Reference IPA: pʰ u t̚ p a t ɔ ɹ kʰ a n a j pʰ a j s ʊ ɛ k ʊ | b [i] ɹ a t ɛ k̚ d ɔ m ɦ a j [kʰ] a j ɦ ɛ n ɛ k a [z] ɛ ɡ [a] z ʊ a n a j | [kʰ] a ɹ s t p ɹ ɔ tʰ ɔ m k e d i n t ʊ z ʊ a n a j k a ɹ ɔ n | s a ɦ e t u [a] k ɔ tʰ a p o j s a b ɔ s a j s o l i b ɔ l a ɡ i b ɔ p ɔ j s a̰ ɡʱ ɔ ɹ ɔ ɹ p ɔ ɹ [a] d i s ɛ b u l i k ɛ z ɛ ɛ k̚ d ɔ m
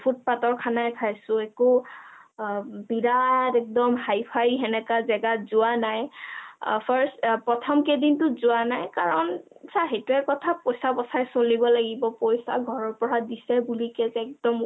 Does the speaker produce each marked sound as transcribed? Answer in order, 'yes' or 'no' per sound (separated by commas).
yes, no, yes, yes, no, no, yes